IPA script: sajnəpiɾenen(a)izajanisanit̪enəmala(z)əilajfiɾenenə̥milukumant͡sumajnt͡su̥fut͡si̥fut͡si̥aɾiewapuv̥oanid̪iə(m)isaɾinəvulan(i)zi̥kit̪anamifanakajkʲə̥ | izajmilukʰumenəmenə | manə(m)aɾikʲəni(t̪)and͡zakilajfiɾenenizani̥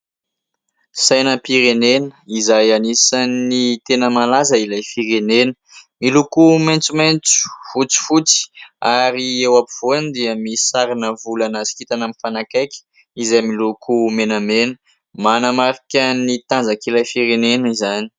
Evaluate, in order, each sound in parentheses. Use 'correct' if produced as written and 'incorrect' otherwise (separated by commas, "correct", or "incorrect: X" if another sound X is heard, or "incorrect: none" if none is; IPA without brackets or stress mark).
incorrect: ə, correct, correct, incorrect: a, correct, correct